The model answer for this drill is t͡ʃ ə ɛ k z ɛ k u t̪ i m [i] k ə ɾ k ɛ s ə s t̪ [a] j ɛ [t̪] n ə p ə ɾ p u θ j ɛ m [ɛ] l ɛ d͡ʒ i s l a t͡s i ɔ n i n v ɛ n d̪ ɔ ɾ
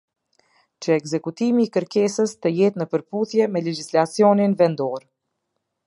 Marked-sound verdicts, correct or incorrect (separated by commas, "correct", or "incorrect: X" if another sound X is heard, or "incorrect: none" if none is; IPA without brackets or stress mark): incorrect: iː, incorrect: ə, correct, correct